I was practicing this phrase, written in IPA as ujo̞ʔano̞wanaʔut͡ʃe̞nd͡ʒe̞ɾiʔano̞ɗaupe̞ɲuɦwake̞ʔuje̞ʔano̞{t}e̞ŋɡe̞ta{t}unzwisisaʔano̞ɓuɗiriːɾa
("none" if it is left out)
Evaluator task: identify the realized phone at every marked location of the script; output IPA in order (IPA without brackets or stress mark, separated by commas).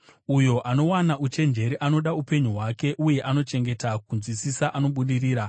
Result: t͡ʃ, k